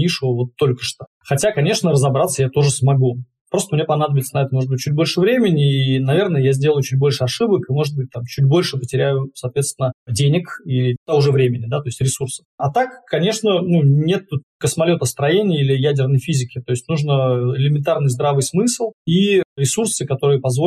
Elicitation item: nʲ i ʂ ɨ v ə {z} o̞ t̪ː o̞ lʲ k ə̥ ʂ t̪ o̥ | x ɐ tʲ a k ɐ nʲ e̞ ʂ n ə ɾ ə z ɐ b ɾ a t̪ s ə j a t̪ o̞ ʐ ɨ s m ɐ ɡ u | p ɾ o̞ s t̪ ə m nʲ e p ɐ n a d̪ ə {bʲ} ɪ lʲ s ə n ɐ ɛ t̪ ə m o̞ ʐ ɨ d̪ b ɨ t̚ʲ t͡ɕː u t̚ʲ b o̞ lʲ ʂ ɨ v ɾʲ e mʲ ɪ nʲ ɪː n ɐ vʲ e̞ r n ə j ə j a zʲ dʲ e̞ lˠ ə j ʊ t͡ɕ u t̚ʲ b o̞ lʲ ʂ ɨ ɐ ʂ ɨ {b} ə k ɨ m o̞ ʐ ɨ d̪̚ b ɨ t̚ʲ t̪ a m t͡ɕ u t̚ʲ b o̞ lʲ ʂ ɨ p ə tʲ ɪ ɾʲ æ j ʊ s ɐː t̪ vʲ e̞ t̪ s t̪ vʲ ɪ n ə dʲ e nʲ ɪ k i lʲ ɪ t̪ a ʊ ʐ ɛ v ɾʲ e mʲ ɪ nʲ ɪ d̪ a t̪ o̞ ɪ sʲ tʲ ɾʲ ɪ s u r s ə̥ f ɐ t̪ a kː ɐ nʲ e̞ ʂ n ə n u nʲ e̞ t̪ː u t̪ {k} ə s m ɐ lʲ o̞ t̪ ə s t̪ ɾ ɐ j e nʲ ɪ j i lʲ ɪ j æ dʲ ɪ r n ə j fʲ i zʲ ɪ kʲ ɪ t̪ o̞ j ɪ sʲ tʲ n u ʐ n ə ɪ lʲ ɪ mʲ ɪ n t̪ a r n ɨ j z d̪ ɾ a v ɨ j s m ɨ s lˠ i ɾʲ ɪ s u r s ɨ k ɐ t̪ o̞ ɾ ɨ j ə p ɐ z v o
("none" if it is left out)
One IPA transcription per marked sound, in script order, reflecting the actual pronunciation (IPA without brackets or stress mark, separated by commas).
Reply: v, bʲ, b, k